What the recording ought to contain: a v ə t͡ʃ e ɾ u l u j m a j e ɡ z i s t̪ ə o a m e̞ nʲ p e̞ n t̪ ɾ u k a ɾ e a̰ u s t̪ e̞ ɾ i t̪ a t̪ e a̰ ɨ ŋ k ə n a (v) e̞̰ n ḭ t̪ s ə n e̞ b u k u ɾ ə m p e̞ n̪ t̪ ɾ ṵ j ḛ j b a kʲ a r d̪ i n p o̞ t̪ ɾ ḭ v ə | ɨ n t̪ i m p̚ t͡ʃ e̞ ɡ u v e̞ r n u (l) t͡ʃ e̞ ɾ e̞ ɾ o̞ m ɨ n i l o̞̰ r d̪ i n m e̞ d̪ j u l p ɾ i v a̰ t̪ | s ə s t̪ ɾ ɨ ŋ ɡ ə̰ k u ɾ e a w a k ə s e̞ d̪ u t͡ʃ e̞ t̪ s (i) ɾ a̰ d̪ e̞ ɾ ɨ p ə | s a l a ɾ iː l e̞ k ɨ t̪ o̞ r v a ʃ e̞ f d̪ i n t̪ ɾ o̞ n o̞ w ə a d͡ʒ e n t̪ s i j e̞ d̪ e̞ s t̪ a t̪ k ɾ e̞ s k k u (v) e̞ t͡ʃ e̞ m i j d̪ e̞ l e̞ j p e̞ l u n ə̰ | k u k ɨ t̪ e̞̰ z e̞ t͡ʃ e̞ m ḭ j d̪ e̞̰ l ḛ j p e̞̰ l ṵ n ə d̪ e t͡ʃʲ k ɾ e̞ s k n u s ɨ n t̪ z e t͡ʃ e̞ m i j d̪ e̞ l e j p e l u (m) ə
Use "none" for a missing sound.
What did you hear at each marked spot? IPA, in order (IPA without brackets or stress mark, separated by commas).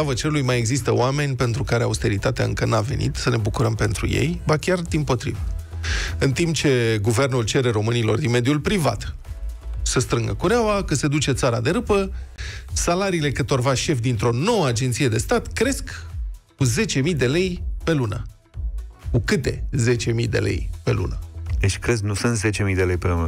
v, l, a, z, n